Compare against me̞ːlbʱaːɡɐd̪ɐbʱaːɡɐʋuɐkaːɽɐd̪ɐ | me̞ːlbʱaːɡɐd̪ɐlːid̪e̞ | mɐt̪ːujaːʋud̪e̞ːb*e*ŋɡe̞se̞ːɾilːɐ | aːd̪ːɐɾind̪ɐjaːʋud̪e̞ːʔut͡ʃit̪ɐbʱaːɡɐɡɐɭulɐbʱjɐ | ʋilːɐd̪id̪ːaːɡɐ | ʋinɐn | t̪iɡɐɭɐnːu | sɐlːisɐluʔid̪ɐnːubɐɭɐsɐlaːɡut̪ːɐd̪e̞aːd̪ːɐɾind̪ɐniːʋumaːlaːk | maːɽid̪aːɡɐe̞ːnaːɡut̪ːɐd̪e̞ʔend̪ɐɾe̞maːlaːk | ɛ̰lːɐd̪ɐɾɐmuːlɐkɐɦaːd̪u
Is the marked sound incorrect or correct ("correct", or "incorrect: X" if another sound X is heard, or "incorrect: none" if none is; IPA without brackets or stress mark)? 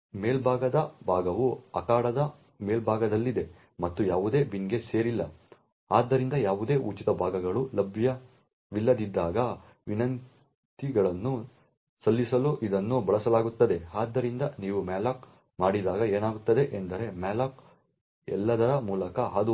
incorrect: i